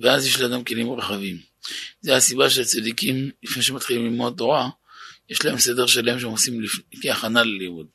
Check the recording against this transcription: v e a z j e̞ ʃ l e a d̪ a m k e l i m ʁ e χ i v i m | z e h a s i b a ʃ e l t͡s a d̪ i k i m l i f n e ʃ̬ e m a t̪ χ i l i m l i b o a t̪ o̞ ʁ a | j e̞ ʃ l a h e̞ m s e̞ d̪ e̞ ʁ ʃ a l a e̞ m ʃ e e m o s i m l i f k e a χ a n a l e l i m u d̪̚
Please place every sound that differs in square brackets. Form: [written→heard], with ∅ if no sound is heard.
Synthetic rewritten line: v e a z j e̞ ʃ l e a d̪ a m k e l i m ʁ e χ [i→a] v i m | z e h a s i b a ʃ e l t͡s a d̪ i k i m l i f n e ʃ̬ e m a t̪ χ i l i m l i [b→m] o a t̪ o̞ ʁ a | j e̞ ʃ l a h e̞ m s e̞ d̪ e̞ ʁ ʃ a l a e̞ m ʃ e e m o s i m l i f k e a χ a n a l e l i m u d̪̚